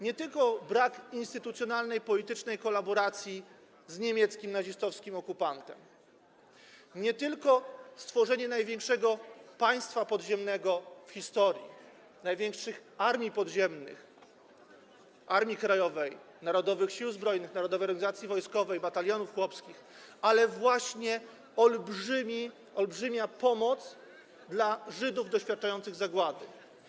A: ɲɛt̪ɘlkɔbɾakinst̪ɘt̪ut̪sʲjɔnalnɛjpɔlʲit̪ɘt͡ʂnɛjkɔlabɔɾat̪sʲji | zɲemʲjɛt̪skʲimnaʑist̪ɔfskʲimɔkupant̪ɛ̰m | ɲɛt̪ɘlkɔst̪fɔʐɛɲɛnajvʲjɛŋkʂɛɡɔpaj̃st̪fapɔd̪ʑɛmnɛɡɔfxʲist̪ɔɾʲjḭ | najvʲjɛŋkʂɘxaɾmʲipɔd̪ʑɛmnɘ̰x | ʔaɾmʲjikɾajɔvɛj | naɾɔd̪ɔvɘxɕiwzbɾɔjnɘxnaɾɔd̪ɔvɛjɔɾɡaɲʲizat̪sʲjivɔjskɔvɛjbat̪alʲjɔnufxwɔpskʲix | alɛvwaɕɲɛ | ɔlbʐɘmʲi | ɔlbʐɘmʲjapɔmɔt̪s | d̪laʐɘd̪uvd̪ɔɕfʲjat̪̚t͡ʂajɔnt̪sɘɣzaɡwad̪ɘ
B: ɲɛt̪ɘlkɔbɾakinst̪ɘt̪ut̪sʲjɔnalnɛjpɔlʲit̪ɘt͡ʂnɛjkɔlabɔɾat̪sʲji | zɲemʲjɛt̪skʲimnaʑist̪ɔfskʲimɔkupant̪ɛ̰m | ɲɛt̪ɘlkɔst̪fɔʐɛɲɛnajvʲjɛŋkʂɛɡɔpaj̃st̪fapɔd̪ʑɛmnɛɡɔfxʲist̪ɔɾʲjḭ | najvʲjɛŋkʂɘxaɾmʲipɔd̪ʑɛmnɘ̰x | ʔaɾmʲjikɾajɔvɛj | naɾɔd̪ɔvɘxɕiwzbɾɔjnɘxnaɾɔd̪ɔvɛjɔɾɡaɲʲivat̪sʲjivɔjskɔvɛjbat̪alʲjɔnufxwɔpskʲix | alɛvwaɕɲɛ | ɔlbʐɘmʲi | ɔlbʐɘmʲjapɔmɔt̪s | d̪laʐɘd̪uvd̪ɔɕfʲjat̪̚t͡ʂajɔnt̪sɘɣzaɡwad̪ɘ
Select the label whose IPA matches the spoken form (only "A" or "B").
A